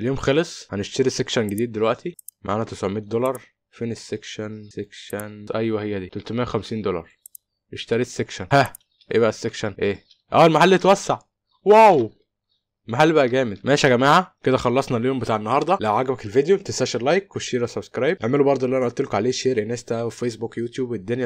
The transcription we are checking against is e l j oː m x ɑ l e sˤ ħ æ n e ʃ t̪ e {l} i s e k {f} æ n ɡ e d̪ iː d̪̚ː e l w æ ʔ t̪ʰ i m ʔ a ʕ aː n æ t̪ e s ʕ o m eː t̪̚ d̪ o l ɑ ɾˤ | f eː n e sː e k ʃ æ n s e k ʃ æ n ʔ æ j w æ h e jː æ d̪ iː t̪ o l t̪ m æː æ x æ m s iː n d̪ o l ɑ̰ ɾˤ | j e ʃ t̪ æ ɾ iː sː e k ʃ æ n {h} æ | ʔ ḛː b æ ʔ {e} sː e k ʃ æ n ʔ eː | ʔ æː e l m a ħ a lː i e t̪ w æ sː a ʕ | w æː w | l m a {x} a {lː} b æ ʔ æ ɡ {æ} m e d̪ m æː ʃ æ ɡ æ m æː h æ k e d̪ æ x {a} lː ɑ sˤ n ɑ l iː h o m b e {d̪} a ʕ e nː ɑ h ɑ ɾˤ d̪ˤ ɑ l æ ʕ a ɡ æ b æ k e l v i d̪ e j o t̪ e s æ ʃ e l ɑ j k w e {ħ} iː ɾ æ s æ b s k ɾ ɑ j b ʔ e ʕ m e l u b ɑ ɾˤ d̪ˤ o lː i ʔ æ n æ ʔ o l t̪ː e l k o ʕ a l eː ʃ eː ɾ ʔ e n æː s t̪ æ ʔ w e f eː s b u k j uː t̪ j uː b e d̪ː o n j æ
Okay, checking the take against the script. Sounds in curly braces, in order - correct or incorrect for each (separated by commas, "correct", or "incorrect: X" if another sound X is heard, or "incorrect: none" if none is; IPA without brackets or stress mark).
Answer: incorrect: ɾ, incorrect: ʃ, correct, incorrect: æ, incorrect: ħ, correct, incorrect: æː, incorrect: ɑ, incorrect: t̪, incorrect: ʃ